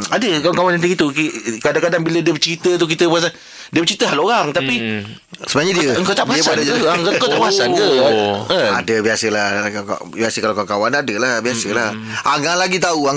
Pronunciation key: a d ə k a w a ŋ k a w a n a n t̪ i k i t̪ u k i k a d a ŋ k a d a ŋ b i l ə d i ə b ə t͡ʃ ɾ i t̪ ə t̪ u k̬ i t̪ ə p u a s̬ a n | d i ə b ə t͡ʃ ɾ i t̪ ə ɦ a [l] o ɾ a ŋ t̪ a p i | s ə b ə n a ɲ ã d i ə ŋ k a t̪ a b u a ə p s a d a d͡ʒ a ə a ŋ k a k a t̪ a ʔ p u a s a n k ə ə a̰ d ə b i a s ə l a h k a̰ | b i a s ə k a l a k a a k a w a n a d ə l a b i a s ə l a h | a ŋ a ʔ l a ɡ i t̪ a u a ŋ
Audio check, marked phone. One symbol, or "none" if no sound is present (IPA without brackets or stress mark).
l